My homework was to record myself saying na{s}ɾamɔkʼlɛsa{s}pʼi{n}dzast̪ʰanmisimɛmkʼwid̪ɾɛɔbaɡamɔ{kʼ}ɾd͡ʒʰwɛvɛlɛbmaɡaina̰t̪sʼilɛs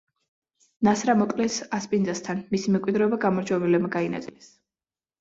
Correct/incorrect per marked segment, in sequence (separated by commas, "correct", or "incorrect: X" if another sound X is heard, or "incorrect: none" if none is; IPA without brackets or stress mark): correct, correct, correct, incorrect: none